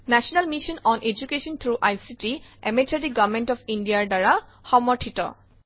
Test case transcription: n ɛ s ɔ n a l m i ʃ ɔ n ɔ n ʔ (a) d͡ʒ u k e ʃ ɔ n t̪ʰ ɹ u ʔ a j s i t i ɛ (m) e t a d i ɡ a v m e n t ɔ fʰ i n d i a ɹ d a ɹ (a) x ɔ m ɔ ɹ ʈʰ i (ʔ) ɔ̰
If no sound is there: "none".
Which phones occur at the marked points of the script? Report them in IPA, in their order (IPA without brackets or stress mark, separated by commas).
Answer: e, m, a, t